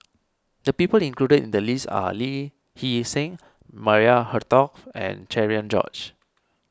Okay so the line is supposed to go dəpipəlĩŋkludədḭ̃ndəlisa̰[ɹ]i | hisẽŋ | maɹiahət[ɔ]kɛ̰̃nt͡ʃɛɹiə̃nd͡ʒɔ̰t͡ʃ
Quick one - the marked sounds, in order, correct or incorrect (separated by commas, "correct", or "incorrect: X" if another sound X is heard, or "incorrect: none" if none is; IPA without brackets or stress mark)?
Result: incorrect: l, correct